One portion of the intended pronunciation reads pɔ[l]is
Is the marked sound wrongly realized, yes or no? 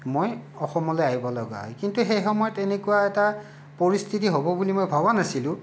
yes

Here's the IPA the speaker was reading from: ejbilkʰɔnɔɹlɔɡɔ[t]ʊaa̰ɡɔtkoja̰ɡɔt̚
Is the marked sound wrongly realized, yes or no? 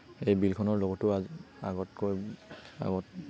no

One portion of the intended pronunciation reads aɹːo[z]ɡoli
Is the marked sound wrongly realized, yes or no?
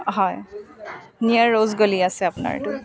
no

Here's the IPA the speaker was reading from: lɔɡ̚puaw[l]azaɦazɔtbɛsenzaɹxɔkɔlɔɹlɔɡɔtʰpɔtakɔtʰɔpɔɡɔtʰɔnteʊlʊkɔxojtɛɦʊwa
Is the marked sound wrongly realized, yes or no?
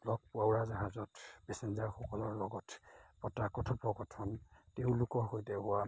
yes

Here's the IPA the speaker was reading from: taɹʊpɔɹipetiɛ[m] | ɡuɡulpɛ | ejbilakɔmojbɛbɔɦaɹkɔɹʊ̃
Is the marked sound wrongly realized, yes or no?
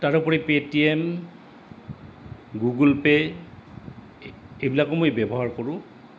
no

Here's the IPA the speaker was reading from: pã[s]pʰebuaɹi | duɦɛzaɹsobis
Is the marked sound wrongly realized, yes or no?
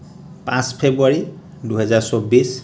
no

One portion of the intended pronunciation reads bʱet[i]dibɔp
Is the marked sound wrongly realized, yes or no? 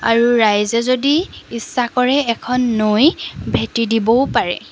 no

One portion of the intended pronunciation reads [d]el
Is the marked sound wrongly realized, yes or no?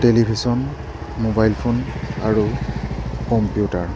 yes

